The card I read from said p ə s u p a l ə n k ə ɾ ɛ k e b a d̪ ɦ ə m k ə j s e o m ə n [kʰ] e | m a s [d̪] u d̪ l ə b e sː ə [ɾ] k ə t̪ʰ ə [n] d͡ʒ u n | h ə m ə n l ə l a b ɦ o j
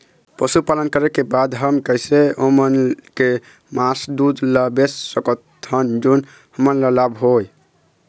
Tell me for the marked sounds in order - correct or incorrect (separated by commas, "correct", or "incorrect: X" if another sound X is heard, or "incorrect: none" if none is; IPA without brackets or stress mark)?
incorrect: k, correct, incorrect: none, correct